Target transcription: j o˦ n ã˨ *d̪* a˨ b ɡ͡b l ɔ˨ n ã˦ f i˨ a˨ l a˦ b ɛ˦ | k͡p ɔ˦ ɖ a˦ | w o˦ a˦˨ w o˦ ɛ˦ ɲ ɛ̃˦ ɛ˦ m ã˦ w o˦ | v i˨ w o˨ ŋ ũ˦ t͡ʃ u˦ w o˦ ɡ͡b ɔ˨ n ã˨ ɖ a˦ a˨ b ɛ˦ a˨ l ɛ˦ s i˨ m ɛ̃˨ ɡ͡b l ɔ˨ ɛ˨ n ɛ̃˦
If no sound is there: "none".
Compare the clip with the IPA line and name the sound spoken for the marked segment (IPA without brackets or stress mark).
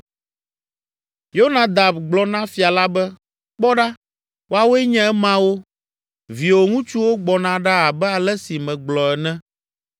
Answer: d̪